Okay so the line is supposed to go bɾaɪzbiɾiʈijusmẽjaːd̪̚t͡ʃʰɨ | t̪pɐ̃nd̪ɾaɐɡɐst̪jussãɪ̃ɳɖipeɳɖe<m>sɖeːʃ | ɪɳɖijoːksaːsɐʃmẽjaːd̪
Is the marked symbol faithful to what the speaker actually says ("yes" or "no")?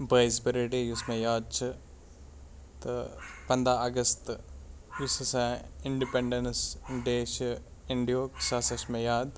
no